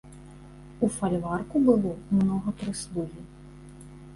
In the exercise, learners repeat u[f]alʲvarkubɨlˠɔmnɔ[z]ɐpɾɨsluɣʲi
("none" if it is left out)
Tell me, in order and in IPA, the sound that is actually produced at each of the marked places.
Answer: f, ɣ

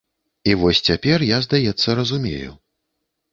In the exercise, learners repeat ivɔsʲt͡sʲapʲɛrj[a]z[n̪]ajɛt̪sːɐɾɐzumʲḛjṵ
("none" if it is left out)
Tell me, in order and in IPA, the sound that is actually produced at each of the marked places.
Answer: a, d̪

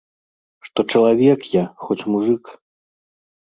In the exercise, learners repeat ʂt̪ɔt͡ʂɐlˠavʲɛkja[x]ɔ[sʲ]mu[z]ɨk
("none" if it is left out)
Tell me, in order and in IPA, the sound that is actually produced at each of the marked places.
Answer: x, t͡sʲ, ʐ

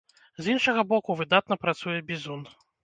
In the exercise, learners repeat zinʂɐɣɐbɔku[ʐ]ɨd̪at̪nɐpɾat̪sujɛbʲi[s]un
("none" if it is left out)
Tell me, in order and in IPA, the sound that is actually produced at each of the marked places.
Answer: v, z

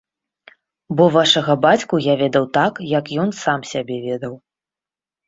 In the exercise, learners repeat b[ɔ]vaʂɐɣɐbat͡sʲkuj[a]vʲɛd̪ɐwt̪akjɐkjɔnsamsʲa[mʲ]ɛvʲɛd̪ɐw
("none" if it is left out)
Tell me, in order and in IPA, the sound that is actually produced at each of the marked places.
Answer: ɔ, a, bʲ

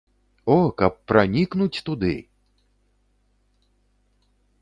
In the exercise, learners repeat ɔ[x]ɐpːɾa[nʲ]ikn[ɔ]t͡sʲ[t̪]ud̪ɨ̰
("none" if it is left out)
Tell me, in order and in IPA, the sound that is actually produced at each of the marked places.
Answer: k, nʲ, u, t̪

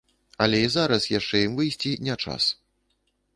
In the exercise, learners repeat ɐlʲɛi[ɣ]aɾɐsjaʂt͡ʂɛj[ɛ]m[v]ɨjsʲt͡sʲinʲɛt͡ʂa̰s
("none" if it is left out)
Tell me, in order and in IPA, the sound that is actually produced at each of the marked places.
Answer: z, i, v

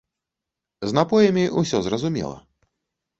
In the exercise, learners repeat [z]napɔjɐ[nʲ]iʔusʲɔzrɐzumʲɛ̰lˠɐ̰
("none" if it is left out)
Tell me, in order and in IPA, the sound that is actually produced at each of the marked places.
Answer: z, mʲ

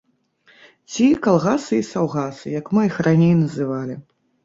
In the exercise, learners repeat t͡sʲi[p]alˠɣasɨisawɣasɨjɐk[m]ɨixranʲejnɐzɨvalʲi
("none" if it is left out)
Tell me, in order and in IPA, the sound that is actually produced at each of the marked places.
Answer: k, m

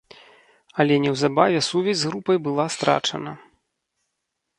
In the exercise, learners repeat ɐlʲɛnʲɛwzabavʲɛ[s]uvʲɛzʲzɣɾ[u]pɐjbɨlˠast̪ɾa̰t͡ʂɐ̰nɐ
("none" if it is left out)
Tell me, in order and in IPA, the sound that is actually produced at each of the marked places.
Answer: s, u

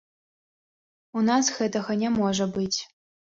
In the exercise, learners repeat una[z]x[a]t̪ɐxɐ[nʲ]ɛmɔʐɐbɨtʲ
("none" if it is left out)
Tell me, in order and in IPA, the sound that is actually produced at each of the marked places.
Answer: s, ɛ, nʲ

